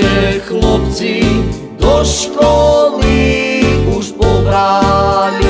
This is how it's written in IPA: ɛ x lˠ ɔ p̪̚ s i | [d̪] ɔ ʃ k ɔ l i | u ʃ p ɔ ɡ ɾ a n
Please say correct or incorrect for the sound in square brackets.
correct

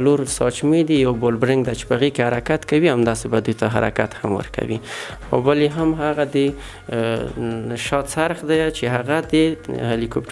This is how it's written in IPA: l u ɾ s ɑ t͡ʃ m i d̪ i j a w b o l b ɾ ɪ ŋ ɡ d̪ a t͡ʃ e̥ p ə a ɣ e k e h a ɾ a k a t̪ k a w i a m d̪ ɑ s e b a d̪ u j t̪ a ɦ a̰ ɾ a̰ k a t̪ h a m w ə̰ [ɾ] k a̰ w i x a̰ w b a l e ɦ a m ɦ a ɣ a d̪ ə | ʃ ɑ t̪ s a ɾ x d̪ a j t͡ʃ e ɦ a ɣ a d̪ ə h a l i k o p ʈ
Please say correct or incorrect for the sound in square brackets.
correct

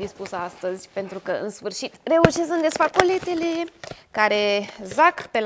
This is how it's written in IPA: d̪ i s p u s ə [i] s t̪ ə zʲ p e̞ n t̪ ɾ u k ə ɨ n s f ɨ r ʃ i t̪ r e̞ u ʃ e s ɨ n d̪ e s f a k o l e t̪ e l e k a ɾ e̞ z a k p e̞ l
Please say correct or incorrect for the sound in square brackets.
incorrect: a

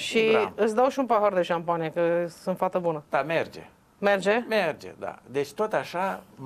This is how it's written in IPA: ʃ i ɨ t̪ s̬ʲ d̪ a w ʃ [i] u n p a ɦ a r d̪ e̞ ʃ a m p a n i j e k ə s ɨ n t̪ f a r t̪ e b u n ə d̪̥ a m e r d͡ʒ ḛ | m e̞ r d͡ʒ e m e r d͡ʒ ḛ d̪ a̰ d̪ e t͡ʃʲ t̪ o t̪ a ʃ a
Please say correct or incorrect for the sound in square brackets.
correct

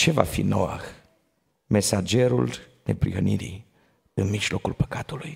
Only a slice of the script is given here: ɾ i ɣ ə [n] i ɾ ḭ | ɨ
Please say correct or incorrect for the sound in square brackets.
correct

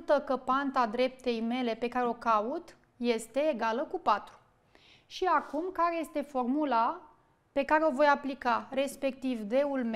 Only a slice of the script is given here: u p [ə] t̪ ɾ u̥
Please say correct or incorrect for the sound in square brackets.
incorrect: a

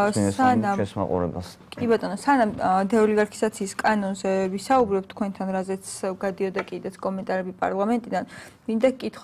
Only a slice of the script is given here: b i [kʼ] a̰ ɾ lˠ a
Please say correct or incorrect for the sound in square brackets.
incorrect: pʼ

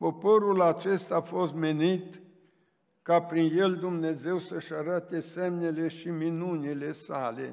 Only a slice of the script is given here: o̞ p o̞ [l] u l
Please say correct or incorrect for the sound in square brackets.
incorrect: ɾ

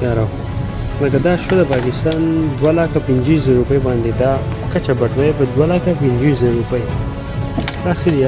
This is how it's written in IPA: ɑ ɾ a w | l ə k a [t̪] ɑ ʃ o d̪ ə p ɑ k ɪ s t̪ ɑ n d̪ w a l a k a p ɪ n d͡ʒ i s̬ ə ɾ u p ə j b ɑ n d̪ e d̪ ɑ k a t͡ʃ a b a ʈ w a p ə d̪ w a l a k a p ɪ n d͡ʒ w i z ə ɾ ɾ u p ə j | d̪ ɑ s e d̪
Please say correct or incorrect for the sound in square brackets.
incorrect: d̪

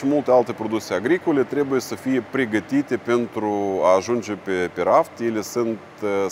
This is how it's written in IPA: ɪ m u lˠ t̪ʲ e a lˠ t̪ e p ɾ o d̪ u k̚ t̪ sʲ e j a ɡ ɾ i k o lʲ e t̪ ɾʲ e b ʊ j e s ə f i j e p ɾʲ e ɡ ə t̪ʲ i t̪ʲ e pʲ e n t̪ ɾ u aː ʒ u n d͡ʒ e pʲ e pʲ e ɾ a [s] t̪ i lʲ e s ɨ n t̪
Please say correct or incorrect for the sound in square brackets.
incorrect: f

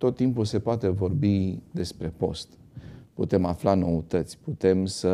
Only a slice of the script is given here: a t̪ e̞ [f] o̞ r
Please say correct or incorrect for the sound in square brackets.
incorrect: v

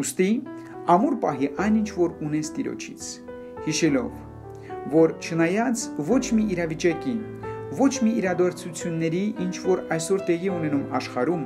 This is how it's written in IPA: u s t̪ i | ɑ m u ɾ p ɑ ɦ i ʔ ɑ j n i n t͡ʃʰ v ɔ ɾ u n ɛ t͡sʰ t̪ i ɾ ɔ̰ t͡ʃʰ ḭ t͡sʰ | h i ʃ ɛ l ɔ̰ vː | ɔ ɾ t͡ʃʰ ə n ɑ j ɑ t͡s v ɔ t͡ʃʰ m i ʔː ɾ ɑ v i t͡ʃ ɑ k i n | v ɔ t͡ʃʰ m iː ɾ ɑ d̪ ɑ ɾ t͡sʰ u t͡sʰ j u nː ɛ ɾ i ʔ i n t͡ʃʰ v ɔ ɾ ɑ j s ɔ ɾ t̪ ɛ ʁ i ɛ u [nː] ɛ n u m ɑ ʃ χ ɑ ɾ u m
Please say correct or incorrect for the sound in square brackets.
incorrect: n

